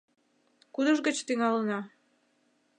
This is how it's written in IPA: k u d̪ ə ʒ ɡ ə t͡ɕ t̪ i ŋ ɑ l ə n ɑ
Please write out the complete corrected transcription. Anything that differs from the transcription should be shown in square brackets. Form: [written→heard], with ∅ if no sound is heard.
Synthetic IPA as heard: k u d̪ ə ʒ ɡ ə t͡ɕ t̪ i ŋ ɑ l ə n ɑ